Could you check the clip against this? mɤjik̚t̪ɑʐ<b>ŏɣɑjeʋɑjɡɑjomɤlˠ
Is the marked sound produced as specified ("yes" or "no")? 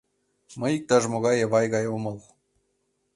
no